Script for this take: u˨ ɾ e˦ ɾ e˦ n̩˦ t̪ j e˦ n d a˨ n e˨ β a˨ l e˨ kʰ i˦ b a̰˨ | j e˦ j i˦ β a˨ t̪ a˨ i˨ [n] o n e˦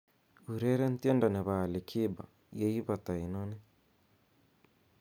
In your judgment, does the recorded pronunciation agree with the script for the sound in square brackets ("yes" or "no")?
yes